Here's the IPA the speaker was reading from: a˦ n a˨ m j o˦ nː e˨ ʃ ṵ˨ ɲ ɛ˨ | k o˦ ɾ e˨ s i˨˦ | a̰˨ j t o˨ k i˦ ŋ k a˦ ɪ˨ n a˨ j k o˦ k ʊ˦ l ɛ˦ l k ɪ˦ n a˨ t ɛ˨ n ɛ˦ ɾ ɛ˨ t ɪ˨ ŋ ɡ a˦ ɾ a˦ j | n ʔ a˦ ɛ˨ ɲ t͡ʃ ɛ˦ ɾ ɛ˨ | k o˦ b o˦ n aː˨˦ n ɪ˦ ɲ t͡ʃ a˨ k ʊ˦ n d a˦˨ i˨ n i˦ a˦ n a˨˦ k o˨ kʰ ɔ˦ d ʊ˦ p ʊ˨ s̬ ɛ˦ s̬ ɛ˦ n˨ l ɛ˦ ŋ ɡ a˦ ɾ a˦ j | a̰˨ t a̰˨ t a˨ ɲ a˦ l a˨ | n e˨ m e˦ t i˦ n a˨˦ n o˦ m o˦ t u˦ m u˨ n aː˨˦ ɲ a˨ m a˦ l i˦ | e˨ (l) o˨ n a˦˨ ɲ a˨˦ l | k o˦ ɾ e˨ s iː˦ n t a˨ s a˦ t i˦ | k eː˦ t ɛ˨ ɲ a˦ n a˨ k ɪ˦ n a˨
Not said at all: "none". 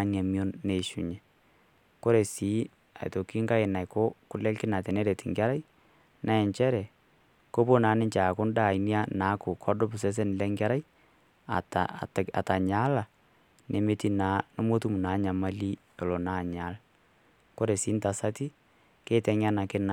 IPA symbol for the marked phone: l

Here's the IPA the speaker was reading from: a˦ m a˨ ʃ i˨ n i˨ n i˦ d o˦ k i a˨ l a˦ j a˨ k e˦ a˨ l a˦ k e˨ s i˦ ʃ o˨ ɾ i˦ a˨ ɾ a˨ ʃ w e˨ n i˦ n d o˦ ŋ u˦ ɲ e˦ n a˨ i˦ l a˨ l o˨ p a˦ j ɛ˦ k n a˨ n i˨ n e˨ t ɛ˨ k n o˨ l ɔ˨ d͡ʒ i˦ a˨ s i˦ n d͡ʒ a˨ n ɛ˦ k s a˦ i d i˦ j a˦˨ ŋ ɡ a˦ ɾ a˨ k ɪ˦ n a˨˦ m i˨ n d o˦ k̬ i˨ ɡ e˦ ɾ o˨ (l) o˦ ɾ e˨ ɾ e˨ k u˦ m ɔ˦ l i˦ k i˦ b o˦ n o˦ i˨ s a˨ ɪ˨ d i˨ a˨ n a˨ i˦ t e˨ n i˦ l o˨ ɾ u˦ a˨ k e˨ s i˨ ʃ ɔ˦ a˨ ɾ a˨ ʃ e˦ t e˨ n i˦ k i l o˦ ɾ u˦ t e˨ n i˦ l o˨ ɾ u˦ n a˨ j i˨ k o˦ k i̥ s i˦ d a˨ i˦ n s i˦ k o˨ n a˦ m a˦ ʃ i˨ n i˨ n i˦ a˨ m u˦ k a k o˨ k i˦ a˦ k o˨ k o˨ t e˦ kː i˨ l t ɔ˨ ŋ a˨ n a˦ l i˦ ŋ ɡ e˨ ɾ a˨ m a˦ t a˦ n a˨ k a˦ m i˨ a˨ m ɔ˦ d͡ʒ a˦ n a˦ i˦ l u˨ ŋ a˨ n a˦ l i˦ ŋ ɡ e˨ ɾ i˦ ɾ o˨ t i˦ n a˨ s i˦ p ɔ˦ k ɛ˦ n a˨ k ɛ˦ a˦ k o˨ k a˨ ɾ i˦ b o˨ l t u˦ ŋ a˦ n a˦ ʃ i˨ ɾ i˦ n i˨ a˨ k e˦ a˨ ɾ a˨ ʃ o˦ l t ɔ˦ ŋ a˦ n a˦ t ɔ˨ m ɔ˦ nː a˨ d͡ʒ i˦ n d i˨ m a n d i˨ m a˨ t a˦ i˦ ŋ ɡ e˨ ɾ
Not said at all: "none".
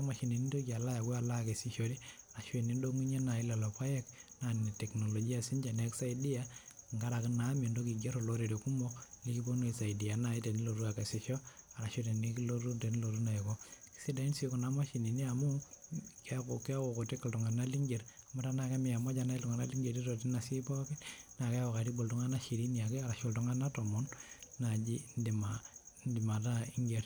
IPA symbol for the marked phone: l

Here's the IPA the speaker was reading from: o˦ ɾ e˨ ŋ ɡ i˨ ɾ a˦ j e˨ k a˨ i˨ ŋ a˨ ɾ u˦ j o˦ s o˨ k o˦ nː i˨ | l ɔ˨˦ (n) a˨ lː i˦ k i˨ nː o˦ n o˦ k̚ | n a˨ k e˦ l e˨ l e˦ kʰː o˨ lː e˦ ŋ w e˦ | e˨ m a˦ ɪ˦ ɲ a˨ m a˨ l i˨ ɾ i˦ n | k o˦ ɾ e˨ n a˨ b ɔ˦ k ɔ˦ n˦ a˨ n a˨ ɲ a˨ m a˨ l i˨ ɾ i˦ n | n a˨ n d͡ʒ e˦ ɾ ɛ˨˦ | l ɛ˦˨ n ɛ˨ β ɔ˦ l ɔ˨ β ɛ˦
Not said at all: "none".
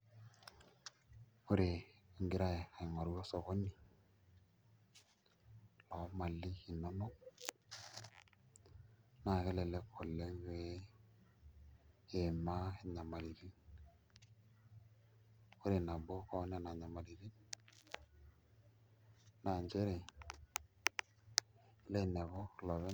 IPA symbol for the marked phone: m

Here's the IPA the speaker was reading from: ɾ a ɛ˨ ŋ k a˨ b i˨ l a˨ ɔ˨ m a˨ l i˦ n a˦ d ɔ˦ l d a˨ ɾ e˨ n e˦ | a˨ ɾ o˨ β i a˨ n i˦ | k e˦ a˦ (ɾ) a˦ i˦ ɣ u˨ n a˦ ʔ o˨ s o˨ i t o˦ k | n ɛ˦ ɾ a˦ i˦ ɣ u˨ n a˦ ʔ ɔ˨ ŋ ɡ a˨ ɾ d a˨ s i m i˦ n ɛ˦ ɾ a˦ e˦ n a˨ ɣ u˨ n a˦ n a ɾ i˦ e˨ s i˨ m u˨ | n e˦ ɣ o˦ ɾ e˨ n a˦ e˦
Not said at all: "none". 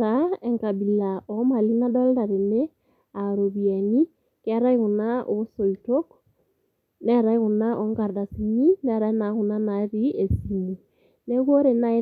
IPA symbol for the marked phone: ɾ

